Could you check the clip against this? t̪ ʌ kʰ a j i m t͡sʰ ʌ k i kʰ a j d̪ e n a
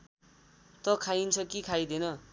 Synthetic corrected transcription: t̪ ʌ kʰ a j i n t͡sʰ ʌ k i kʰ a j d̪ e n ʌ